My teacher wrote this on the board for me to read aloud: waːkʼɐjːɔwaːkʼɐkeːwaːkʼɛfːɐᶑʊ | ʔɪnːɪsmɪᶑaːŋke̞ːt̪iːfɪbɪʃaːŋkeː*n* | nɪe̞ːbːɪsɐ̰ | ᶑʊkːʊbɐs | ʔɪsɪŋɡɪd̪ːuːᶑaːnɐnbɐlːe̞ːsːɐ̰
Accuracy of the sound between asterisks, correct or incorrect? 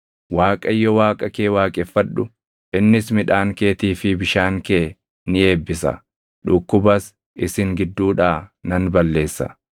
incorrect